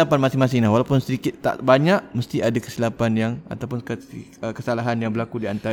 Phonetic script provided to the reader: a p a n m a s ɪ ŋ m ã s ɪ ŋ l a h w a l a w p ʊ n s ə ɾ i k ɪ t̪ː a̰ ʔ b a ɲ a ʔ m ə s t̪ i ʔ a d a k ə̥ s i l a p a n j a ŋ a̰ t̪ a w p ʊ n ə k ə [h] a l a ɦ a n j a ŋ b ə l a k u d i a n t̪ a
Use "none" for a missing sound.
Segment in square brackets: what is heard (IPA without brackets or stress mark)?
s